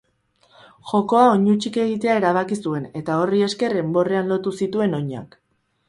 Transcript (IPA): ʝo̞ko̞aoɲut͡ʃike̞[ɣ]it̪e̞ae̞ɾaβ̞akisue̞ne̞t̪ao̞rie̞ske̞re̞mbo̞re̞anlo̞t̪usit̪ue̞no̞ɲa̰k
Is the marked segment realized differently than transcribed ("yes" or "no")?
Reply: no